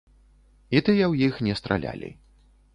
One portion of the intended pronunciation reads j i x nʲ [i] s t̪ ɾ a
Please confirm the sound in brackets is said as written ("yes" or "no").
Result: no